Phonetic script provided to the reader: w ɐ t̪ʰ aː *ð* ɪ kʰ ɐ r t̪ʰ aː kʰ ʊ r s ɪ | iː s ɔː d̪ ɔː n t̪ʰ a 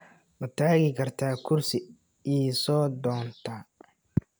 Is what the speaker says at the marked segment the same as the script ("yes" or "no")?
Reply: no